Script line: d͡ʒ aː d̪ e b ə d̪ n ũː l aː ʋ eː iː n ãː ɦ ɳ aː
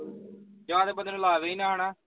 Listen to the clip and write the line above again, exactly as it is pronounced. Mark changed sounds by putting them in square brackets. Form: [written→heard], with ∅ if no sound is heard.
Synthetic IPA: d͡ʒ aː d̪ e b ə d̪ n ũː l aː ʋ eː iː n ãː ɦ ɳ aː